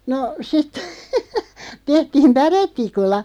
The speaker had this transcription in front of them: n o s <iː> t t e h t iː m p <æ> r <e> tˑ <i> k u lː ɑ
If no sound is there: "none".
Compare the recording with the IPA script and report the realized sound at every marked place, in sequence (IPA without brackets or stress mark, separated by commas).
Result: i, æ, e, i